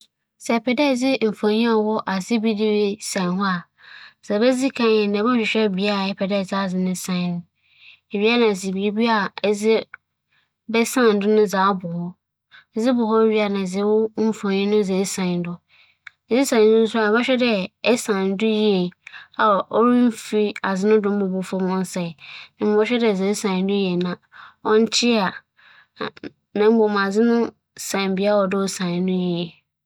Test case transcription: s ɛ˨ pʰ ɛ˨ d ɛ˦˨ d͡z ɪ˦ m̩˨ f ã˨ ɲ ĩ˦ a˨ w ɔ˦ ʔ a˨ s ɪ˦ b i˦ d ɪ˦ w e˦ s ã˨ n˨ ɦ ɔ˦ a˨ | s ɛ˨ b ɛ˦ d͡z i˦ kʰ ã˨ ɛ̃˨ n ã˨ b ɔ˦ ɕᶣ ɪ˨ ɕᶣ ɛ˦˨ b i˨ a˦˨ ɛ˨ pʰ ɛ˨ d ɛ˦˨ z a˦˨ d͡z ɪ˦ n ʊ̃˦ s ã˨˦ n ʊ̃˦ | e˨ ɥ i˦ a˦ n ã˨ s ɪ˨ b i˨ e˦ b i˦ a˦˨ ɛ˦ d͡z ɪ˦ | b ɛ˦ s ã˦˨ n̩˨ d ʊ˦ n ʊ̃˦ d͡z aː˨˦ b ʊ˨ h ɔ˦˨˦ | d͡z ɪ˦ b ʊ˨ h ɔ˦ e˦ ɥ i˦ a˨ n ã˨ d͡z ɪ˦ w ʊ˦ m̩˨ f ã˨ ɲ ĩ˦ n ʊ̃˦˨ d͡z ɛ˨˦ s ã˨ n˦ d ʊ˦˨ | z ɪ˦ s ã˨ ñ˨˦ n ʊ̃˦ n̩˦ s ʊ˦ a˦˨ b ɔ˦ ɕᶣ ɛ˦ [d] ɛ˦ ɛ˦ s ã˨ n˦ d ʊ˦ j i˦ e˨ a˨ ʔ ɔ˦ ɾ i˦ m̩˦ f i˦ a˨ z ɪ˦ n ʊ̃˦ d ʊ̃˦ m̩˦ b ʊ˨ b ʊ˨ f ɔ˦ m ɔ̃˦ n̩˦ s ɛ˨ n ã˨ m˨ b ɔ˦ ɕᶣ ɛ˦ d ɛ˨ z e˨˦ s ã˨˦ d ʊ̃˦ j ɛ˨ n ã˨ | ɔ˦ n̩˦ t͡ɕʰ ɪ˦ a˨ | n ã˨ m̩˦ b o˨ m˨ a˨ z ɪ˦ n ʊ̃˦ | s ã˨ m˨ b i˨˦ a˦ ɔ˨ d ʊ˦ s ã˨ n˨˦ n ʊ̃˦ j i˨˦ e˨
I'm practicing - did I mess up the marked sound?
no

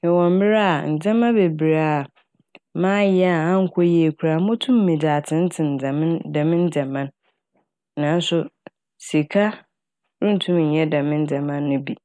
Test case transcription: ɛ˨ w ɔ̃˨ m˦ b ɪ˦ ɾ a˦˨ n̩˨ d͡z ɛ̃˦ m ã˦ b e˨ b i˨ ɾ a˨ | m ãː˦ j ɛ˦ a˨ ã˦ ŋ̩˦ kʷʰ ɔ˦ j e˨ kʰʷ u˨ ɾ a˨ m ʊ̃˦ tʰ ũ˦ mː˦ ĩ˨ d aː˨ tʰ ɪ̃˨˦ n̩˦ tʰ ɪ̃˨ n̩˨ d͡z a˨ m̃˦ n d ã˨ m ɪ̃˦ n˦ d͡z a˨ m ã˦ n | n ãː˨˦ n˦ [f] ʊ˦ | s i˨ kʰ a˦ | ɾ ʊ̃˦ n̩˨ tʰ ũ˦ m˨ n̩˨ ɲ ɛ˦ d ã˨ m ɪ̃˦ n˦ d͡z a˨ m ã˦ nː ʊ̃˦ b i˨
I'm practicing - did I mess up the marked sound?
yes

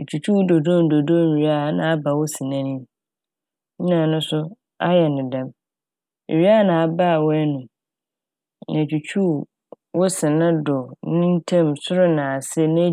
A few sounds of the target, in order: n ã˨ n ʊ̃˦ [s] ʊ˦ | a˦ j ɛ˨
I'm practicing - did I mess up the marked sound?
no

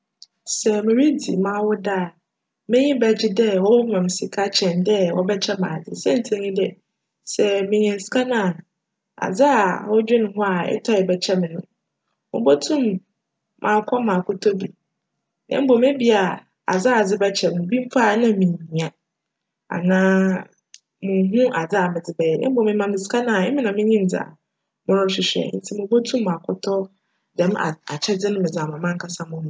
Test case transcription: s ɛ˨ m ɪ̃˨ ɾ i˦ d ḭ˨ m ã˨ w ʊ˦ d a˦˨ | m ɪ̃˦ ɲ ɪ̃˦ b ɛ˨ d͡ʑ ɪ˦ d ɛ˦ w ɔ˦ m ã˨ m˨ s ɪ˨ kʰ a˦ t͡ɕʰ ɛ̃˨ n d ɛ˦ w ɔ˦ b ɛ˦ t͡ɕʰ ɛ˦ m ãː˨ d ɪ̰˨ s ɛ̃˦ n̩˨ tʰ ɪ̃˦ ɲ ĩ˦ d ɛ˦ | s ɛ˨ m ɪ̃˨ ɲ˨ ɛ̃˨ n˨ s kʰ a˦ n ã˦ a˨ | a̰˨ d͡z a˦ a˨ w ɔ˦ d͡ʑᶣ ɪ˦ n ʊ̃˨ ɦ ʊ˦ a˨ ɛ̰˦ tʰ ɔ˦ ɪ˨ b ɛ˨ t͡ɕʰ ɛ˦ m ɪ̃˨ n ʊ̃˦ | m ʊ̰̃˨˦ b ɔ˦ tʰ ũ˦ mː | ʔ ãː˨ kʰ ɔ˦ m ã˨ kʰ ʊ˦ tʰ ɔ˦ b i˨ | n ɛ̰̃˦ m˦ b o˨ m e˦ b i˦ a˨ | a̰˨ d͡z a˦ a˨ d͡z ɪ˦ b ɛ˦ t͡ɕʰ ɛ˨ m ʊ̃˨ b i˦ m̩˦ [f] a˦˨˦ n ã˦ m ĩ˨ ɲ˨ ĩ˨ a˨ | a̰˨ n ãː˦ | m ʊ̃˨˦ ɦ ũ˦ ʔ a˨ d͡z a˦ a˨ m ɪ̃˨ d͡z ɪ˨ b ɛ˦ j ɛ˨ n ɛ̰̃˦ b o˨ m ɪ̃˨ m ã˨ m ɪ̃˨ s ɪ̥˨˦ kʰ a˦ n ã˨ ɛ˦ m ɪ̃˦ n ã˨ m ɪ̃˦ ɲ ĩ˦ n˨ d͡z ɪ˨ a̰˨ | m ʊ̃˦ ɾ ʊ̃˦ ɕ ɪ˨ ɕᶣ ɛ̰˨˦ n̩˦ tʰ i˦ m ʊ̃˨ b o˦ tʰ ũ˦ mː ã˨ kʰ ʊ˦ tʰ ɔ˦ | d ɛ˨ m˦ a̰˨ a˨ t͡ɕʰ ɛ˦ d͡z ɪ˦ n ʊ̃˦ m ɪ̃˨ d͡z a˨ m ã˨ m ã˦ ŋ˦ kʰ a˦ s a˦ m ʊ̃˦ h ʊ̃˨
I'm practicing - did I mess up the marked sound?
no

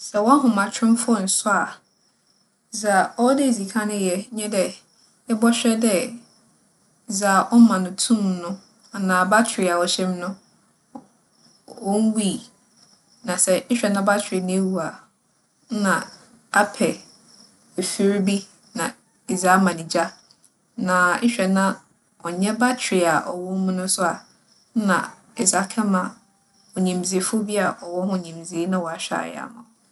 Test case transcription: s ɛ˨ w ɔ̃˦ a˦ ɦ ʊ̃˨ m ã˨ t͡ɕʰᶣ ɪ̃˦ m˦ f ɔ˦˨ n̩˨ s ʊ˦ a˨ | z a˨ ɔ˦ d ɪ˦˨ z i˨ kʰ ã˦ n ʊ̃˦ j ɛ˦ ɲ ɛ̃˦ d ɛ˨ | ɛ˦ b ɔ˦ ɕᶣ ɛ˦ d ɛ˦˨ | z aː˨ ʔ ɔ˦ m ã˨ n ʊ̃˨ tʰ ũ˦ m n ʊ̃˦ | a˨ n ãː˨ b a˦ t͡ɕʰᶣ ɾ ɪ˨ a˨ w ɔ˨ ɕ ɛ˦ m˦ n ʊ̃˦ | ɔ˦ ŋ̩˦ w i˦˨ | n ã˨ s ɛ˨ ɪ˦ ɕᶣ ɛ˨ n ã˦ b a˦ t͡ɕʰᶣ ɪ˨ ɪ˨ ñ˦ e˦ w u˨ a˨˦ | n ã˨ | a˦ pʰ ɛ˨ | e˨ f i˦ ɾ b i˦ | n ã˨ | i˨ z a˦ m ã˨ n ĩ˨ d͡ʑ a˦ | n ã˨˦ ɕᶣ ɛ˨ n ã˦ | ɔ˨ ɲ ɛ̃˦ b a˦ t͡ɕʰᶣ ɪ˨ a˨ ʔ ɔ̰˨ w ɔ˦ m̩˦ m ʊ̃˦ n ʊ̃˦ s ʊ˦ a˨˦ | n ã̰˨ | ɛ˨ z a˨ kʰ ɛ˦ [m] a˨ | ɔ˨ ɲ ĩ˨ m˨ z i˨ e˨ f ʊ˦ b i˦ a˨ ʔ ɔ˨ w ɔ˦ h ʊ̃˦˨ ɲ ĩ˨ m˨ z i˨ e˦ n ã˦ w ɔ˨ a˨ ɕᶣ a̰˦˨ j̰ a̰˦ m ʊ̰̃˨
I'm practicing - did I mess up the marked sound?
no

